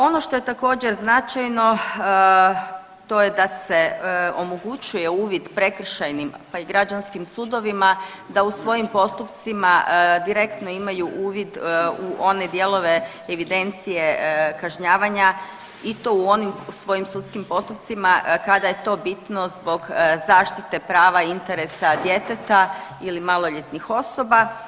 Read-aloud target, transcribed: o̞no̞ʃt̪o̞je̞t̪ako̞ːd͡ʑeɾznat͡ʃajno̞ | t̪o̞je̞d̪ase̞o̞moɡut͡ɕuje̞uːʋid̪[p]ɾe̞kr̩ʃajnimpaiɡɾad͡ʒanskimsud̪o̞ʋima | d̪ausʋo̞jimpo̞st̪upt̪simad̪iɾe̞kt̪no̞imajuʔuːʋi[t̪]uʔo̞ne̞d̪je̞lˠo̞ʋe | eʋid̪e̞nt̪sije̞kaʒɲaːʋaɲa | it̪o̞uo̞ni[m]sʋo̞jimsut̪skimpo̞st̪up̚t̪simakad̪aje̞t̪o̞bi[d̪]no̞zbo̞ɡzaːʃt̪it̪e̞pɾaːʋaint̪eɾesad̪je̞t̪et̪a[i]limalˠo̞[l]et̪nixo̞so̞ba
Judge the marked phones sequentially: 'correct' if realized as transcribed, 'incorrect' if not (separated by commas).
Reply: correct, incorrect, correct, incorrect, correct, incorrect